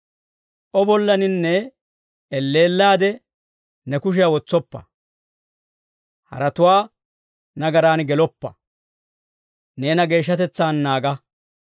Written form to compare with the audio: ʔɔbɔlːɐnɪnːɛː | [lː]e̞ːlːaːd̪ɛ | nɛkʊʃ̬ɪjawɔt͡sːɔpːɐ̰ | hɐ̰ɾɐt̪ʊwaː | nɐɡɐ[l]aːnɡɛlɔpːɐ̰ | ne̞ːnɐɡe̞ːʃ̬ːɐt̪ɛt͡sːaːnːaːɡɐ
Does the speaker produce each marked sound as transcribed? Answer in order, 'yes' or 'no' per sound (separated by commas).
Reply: yes, no